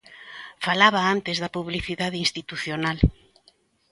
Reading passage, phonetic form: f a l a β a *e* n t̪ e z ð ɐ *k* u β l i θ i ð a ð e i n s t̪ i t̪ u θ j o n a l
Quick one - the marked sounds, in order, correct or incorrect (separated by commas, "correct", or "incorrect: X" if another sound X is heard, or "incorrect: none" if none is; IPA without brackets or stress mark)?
incorrect: a, incorrect: p